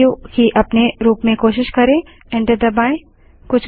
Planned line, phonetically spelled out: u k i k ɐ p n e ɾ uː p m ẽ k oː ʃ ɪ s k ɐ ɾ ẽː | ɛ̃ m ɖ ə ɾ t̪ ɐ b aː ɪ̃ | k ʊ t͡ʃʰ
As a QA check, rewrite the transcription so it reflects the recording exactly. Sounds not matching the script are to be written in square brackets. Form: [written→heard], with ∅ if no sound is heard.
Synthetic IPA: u k i [k→ʔ] ɐ p n e ɾ uː p m ẽ k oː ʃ ɪ [s→ʃ] k ɐ ɾ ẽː | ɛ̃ [m→ɳ] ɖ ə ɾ [t̪→d̪] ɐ b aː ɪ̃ | k ʊ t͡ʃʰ

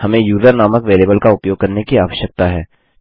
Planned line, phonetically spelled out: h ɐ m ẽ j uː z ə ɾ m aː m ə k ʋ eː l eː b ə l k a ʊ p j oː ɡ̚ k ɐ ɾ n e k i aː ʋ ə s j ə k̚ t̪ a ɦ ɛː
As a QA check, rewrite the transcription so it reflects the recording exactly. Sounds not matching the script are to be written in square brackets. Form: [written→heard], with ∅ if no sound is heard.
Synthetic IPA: h ɐ m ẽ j uː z ə ɾ [m→n] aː m ə k ʋ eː l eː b ə l k a ʊ p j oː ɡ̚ k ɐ ɾ n e k i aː ʋ ə [s→ʃ] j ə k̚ t̪ a ɦ ɛː

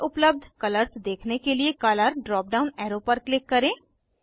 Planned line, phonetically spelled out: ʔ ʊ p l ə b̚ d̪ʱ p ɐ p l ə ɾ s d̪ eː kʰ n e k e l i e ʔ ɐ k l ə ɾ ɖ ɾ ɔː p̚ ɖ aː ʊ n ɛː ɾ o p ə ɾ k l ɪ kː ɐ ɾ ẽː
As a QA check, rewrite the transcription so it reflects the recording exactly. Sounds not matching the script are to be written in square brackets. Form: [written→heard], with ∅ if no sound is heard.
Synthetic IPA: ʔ ʊ p l ə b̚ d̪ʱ [p→k] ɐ [p→∅] l ə ɾ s d̪ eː kʰ n e k e l i e [ʔ→k] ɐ [k→∅] l ə ɾ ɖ ɾ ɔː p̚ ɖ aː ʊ n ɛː ɾ o p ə ɾ k l ɪ kː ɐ ɾ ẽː

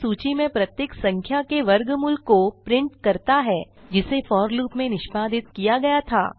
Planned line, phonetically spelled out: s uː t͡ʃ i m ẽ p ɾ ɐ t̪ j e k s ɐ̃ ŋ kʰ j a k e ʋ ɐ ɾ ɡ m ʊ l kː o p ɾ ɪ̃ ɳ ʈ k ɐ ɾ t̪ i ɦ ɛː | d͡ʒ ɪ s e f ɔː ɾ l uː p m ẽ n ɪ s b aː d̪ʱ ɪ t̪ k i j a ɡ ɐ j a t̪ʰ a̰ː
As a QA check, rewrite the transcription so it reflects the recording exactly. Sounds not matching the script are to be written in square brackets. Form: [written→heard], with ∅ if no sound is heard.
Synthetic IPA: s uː t͡ʃ i m ẽ p ɾ ɐ t̪ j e k s ɐ̃ ŋ kʰ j a k e ʋ ɐ ɾ ɡ m ʊ l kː o p ɾ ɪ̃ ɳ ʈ k ɐ ɾ t̪ [i→a] ɦ ɛː | d͡ʒ ɪ s e f ɔː ɾ l uː p m ẽ n ɪ [s→ʃ] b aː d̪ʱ ɪ t̪ k i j a ɡ ɐ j a t̪ʰ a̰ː

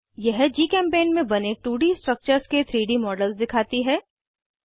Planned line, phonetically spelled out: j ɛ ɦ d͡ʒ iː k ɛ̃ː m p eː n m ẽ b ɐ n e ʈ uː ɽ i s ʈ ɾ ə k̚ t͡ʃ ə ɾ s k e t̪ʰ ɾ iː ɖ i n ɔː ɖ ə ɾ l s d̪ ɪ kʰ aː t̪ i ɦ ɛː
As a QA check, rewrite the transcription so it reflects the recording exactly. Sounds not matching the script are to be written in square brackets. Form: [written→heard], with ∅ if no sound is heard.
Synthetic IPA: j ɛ ɦ d͡ʒ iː k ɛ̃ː m p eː n m ẽ b ɐ n e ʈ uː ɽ i s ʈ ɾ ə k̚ t͡ʃ ə ɾ s k e t̪ʰ ɾ iː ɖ i [n→m] ɔː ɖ ə [ɾ→∅] l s d̪ ɪ kʰ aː t̪ i ɦ ɛː

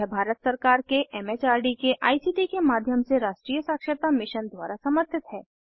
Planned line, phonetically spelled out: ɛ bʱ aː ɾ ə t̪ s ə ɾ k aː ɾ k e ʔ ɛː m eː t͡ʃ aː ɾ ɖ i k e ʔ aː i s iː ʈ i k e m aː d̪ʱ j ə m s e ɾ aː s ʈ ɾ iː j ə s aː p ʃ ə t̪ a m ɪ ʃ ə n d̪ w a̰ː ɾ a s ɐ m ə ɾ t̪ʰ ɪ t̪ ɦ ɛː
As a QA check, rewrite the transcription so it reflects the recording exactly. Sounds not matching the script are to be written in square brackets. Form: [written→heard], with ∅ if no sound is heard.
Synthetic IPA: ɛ bʱ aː ɾ ə t̪ s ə ɾ k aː ɾ k e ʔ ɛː m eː t͡ʃ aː ɾ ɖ i k e ʔ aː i s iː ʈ i k e m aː d̪ʱ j ə m s e ɾ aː [s→ʃ] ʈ ɾ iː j ə s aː [p→k] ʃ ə t̪ a m ɪ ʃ ə n d̪ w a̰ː ɾ a s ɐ m ə ɾ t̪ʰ ɪ t̪ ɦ ɛː

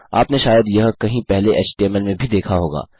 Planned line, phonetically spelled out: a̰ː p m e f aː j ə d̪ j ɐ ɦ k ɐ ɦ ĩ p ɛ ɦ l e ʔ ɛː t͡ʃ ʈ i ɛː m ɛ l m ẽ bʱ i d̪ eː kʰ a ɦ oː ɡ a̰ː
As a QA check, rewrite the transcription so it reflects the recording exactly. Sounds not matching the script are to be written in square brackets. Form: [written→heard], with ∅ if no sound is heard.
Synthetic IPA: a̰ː p [m→n] e [f→ʃ] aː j ə d̪ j ɐ ɦ k ɐ ɦ ĩ p ɛ ɦ l e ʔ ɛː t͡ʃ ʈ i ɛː m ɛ l m ẽ bʱ i d̪ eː kʰ a ɦ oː ɡ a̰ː

